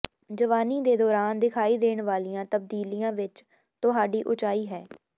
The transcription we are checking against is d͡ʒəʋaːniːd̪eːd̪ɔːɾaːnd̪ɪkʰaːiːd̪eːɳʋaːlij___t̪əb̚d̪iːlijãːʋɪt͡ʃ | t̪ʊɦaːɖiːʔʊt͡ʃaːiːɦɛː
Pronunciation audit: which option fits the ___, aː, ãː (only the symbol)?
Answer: ãː